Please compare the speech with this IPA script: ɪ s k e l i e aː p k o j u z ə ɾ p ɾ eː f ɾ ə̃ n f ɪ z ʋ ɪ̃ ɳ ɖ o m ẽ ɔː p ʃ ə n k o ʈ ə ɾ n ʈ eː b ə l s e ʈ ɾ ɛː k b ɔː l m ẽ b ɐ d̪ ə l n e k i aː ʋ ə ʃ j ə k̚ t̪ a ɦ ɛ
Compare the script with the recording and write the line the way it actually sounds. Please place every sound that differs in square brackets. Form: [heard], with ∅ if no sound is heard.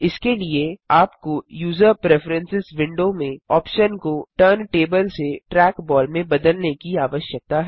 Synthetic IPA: ɪ s k e l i e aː p k o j [uː] z ə ɾ p ɾ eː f ɾ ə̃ n [s] ɪ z ʋ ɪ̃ ɳ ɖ o m ẽ ɔː p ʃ ə n k o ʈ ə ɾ n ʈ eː b ə l s e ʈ ɾ ɛː k b ɔː l m ẽ b ɐ d̪ ə l n e k i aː ʋ ə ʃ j ə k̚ t̪ a ɦ ɛ